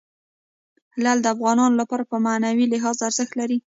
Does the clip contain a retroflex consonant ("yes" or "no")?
no